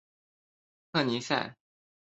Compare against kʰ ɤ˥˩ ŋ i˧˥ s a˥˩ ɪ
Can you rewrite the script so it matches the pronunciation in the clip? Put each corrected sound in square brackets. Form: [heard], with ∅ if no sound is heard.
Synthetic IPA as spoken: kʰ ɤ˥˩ [n] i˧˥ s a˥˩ ɪ